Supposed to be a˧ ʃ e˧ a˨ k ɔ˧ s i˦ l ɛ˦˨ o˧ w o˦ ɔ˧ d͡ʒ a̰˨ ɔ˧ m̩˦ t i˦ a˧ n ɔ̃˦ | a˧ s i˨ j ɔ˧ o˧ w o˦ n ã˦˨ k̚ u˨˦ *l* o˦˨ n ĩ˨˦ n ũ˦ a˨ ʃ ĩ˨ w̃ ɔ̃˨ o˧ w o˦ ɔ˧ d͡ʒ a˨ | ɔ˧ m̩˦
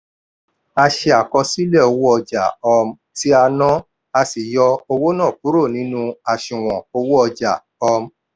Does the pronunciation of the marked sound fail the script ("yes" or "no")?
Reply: yes